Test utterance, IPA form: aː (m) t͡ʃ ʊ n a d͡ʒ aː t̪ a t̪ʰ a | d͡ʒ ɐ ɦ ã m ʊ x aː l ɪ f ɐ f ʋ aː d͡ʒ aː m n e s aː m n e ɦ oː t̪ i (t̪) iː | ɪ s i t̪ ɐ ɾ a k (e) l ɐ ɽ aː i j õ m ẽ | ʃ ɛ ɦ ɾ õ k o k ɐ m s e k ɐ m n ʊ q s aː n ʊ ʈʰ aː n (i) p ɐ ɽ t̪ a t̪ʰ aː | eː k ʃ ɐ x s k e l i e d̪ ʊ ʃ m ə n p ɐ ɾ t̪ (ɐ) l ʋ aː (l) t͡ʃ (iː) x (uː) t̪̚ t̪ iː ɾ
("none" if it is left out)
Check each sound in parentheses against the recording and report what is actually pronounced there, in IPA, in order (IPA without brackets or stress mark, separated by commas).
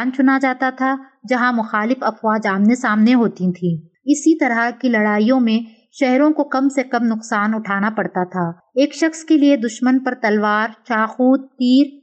n, t̪ʰ, i, a, ɐ, ɾ, aː, uː